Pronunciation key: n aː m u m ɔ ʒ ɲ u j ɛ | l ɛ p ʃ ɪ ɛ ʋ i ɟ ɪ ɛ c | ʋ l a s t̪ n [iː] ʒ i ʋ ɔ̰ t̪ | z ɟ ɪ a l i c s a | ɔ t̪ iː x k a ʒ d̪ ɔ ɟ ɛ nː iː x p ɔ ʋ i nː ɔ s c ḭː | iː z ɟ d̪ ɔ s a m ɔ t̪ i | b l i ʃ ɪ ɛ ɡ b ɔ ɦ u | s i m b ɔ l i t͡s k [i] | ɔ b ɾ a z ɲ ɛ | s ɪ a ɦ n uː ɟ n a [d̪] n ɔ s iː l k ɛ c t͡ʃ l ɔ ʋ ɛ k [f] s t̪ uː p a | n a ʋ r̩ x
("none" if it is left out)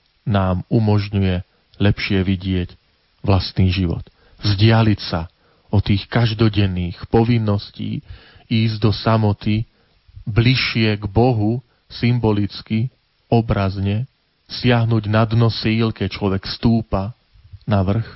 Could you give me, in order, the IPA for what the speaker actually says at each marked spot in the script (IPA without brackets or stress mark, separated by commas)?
iː, i, d̪, f